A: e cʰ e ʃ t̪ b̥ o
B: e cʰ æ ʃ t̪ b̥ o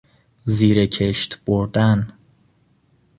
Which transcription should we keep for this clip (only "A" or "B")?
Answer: A